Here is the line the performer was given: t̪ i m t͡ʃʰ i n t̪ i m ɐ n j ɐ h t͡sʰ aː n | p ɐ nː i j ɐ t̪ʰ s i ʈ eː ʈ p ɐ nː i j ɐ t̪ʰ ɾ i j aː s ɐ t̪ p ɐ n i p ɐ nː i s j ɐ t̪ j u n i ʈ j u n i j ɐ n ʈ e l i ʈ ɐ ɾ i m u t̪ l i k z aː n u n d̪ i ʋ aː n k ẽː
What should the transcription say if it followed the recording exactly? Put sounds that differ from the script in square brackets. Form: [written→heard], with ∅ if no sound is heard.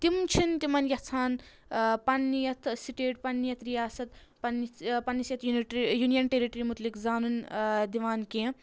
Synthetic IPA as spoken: t̪ i m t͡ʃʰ i n t̪ i m ɐ n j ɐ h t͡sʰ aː n | p ɐ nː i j ɐ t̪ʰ s i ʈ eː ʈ p ɐ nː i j ɐ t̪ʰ ɾ i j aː s ɐ t̪ p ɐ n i p ɐ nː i s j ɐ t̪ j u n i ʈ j u n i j ɐ n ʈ e [l→ɾ] i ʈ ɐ ɾ i m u t̪ l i k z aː n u n d̪ i ʋ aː n k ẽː

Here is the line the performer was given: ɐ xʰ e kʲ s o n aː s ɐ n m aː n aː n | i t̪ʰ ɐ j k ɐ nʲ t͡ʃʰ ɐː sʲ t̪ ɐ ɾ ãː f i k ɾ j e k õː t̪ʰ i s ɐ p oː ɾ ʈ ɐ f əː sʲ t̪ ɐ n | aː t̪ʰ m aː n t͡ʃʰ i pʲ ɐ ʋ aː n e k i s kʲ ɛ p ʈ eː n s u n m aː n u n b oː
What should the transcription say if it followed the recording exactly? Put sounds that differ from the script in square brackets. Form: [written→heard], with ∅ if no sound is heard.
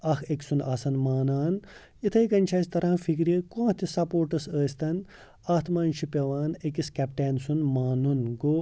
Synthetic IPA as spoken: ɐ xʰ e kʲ s [o→u] n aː s ɐ n m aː n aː n | i t̪ʰ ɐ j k ɐ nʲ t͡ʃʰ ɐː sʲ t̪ ɐ ɾ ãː f i k ɾ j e k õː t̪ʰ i s ɐ p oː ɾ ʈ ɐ [f→s] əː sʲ t̪ ɐ n | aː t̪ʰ m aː n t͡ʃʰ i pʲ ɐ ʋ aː n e k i s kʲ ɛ p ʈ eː n s u n m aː n u n [b→ɡ] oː

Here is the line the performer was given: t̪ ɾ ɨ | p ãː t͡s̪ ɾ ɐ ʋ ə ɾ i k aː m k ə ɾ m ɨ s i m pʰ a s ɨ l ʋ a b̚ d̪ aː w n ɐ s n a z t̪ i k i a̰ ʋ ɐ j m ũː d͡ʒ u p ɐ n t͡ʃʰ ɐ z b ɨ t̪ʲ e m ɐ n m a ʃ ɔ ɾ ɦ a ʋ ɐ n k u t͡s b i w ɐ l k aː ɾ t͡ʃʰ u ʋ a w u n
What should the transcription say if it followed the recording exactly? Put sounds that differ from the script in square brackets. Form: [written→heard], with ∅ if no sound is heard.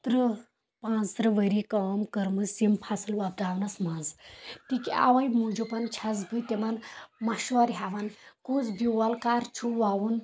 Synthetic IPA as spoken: t̪ ɾ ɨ | p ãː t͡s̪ ɾ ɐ ʋ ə ɾ i k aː m k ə ɾ m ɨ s i m pʰ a s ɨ l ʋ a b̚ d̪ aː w n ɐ s [n→m] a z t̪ i k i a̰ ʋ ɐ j m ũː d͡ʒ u p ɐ n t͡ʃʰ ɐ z b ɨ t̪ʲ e m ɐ n m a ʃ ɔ ɾ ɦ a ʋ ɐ n k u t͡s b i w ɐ l k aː ɾ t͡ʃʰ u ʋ a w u n

